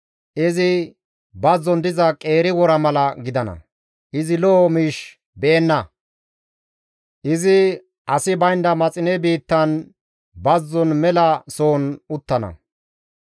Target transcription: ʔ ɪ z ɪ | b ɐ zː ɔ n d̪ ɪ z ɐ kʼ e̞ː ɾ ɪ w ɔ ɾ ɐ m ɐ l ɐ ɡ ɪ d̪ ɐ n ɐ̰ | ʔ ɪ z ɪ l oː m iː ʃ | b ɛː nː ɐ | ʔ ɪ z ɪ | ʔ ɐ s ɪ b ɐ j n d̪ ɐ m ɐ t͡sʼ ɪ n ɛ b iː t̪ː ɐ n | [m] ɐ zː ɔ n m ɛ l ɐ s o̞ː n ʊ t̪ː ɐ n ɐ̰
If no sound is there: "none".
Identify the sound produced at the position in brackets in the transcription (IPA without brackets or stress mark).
b